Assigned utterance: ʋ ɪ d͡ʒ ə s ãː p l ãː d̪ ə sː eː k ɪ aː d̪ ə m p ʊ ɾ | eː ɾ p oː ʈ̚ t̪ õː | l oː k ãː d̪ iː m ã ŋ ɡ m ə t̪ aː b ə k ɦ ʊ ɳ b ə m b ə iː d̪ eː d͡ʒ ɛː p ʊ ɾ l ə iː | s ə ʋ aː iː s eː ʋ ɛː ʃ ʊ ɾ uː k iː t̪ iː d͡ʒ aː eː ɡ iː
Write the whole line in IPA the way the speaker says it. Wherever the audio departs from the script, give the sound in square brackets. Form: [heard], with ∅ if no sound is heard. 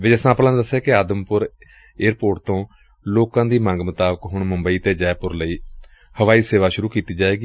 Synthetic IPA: ʋ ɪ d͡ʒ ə s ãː p l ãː d̪ ə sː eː k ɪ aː d̪ ə m p ʊ ɾ | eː ɾ p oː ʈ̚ t̪ õː | l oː k ãː d̪ iː m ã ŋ ɡ m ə t̪ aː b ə k ɦ ʊ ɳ [m] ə m b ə iː [t̪] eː d͡ʒ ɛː p ʊ ɾ l ə iː | [h] ə ʋ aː iː s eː ʋ [aː] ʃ ʊ ɾ uː k iː t̪ iː d͡ʒ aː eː ɡ iː